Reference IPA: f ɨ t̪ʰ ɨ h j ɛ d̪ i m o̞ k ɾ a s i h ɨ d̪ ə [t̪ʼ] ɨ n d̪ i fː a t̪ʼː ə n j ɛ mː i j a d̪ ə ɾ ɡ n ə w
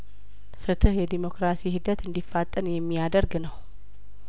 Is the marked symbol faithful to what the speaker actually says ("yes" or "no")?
no